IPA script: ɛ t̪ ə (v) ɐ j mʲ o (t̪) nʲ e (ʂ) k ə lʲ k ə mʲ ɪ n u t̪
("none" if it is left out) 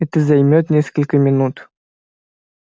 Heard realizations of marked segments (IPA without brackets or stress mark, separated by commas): z, t̪, s